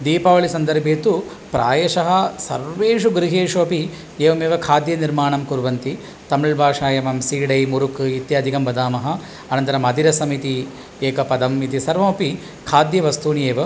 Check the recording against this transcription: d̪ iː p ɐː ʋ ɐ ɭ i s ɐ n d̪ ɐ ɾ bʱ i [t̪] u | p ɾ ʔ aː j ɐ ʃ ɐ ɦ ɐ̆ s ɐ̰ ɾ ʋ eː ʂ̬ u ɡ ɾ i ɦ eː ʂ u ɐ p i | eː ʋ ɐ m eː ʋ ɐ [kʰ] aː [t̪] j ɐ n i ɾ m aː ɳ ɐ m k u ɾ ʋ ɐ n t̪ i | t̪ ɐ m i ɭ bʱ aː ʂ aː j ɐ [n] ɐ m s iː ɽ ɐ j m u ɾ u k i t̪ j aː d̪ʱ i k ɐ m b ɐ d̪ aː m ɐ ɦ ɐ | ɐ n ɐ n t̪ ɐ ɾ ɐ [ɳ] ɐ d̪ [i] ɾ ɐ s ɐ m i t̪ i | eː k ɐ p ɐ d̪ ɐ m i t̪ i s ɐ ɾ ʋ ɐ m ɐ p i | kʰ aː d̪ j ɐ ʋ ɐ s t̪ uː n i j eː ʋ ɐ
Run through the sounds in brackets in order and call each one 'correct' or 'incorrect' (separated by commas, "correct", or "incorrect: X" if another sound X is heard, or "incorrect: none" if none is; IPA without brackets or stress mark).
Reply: correct, correct, incorrect: d̪, incorrect: m, incorrect: m, correct